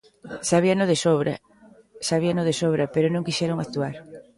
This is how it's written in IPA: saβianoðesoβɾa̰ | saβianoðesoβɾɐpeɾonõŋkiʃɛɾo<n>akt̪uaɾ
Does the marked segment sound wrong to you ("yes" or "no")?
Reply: yes